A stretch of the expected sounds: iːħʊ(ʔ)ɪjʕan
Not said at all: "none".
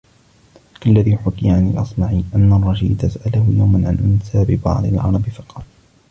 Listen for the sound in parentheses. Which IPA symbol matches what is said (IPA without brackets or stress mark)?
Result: k